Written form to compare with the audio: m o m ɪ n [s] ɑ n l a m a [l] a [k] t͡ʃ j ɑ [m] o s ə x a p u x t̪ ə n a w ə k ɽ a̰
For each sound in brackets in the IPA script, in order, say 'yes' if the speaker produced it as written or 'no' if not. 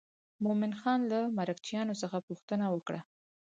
no, no, yes, no

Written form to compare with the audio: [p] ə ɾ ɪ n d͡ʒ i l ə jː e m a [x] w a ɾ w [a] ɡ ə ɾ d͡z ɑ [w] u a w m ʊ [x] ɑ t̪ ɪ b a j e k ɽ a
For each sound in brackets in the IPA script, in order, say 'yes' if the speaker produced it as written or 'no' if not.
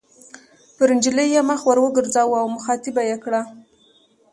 yes, yes, no, yes, yes

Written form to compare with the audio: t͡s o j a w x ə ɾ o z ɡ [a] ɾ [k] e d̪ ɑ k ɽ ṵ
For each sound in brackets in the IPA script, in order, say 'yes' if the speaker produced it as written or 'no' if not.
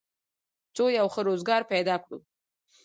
no, no

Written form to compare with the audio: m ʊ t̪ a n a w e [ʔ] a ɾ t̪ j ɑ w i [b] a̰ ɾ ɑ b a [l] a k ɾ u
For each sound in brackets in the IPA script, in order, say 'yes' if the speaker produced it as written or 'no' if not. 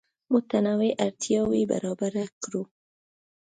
yes, yes, no

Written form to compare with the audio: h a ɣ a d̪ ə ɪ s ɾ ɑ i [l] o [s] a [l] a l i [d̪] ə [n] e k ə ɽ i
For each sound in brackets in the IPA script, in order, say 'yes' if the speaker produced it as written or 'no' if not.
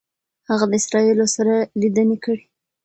yes, yes, no, yes, yes

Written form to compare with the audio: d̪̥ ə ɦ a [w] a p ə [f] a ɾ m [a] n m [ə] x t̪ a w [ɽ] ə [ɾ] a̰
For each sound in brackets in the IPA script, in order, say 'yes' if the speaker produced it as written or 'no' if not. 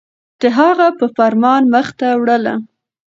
no, yes, no, yes, yes, no

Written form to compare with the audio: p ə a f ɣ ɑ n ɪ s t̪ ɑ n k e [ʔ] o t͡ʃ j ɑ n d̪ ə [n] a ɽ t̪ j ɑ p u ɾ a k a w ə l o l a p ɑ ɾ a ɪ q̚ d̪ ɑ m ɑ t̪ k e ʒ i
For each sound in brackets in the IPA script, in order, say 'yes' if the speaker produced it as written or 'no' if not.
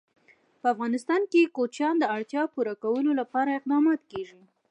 no, no

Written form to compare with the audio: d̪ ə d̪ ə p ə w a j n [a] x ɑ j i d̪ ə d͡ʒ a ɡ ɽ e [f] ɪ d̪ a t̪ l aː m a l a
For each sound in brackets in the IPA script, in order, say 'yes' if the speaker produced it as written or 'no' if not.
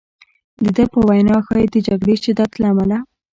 no, no

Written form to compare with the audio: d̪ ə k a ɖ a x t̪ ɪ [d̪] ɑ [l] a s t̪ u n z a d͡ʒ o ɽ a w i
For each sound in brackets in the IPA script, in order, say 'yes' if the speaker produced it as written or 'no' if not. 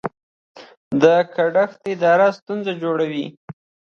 yes, no

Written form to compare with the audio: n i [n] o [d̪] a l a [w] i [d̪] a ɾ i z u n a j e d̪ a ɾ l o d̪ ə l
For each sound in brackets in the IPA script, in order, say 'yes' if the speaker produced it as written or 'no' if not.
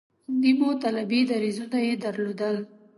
no, no, no, yes

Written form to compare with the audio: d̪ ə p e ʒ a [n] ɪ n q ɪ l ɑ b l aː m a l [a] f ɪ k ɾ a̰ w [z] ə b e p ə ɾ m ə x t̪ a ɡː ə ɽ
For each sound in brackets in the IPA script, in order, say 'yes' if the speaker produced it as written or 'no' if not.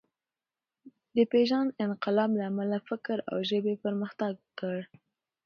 yes, yes, no

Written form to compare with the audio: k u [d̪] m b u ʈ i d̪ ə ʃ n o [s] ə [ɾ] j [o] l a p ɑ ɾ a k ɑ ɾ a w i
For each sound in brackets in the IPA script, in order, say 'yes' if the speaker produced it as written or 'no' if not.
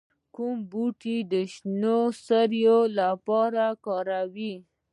no, yes, yes, yes

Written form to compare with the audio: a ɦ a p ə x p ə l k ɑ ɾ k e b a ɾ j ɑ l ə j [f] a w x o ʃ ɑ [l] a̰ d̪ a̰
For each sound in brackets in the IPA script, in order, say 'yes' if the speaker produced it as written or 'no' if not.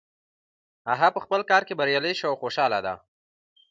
no, yes

